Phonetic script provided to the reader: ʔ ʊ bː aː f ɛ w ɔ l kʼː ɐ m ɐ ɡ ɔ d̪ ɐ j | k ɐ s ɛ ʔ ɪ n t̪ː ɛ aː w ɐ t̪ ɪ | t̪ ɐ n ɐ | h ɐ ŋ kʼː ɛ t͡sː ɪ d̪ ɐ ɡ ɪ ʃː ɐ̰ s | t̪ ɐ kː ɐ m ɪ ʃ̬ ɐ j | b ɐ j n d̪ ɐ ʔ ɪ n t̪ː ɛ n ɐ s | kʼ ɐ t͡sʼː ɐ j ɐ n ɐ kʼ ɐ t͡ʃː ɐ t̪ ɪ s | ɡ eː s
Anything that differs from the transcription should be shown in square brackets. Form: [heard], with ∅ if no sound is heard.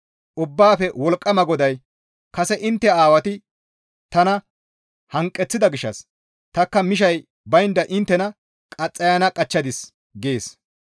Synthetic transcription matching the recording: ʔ ʊ bː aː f ɛ w ɔ l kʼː ɐ m ɐ ɡ ɔ d̪ ɐ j | k ɐ s ɛ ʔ ɪ n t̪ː ɛ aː w ɐ t̪ ɪ | t̪ ɐ n ɐ | h ɐ ŋ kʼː ɛ t͡sː ɪ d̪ ɐ ɡ ɪ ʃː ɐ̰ s | t̪ ɐ kː ɐ m ɪ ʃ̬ ɐ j | b ɐ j n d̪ ɐ ʔ ɪ n t̪ː ɛ n ɐ [∅] | kʼ ɐ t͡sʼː ɐ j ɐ n ɐ kʼ ɐ t͡ʃː ɐ [d̪] ɪ s | ɡ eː s